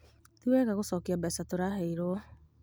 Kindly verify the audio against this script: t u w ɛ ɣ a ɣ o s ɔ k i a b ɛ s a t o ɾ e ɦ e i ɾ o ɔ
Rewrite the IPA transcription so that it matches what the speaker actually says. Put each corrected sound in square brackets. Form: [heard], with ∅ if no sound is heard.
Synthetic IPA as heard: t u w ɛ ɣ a ɣ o s ɔ k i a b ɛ s a t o ɾ [a] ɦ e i ɾ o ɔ